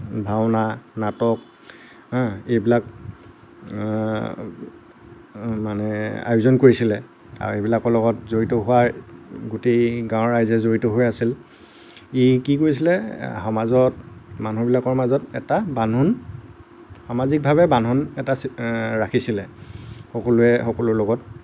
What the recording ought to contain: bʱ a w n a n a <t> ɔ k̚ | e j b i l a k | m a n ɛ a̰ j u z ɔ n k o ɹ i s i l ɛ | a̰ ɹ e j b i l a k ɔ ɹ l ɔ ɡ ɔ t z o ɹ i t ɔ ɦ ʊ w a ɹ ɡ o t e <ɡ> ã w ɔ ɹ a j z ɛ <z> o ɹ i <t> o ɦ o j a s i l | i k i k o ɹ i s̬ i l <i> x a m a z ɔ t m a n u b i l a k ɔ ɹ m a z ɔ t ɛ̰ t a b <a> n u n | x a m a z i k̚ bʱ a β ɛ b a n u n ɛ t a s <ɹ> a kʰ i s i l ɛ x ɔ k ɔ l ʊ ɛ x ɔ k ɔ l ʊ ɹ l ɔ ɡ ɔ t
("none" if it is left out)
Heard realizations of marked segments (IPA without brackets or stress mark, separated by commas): t, ɡ, z, t, ɛ, a, ɹ